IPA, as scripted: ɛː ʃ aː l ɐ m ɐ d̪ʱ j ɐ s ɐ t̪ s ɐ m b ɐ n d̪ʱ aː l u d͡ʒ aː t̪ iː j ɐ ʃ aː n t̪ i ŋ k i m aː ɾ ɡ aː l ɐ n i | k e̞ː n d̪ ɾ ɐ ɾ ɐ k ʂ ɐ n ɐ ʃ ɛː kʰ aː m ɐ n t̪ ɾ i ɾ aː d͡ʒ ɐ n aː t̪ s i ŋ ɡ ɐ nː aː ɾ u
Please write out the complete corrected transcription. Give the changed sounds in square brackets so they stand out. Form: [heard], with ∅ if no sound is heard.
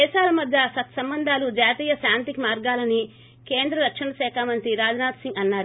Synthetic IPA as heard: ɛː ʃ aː l ɐ m ɐ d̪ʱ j ɐ s ɐ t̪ s ɐ m b ɐ n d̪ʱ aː l u d͡ʒ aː t̪ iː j ɐ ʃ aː n t̪ i [∅] k i m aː ɾ ɡ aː l ɐ n i | k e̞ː n d̪ ɾ ɐ ɾ ɐ k ʂ ɐ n ɐ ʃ ɛː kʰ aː m ɐ n t̪ ɾ i ɾ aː d͡ʒ ɐ n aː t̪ s i ŋ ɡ ɐ nː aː ɾ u